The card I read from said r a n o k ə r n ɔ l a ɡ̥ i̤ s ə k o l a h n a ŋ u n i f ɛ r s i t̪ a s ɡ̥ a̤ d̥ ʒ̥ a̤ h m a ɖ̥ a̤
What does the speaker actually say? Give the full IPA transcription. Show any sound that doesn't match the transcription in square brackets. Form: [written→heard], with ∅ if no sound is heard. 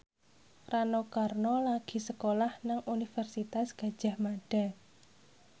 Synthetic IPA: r a n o k [ə→a] r n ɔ l a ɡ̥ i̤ s ə k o l a h n a ŋ u n i f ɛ r s i t̪ a s ɡ̥ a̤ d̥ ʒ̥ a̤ h m a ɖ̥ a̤